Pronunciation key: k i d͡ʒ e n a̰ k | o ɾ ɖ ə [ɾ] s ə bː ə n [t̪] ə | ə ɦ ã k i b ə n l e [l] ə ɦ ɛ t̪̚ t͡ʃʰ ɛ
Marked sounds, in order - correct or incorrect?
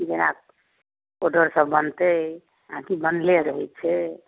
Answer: correct, correct, incorrect

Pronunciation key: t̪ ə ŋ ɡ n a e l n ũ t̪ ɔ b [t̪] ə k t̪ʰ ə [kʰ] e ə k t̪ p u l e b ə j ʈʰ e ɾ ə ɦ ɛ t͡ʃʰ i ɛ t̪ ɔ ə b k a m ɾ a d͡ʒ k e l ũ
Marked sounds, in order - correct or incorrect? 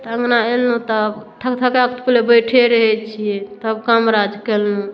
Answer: incorrect, incorrect

